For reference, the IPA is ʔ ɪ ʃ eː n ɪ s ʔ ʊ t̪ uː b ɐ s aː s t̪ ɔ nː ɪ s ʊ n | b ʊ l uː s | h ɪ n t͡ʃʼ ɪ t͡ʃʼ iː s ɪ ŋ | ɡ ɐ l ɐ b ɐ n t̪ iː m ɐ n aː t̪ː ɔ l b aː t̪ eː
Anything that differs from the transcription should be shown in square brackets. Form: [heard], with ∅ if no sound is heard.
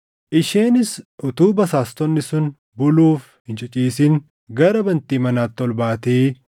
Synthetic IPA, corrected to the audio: ʔ ɪ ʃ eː n ɪ s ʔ ʊ t̪ uː b ɐ s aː s t̪ ɔ nː ɪ s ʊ n | b ʊ l uː [f] | h ɪ n t͡ʃʼ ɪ t͡ʃʼ iː s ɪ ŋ | ɡ ɐ [ɾ] ɐ b ɐ n t̪ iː m ɐ n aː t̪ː ɔ l b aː t̪ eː